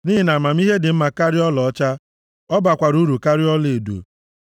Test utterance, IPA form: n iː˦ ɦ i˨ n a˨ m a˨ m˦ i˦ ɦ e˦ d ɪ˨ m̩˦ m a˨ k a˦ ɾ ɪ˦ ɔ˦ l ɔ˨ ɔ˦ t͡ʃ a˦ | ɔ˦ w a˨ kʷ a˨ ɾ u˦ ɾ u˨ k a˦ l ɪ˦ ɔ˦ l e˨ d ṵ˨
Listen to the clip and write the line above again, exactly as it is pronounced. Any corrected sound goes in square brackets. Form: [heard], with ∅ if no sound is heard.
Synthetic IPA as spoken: n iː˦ ɦ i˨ n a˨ m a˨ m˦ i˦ ɦ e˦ d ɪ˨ m̩˦ m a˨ k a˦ ɾ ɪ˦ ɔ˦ l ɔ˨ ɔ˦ t͡ʃ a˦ | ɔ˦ [b] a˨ kʷ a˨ ɾ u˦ ɾ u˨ k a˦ [ɾ] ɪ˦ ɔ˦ l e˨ d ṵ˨